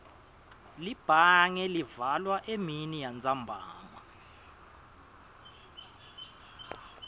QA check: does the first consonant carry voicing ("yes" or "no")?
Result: yes